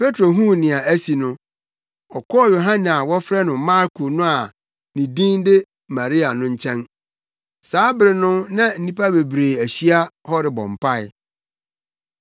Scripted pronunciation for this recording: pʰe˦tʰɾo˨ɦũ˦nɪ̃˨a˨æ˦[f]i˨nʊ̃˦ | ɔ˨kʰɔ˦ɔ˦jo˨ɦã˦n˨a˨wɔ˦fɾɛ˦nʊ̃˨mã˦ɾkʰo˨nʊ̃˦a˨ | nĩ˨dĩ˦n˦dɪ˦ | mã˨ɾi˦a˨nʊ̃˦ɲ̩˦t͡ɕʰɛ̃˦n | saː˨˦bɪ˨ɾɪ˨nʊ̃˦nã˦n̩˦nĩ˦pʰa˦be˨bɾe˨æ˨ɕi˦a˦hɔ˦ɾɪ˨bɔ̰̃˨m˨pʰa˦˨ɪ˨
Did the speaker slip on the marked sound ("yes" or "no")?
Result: yes